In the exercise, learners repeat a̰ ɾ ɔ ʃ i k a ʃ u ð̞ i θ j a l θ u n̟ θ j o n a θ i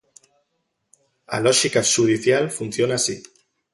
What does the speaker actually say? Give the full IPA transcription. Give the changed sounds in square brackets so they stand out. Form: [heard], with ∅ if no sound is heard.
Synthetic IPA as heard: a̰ [l] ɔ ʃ i k a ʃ u ð̞ i θ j a l [f] u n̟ θ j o n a [s] i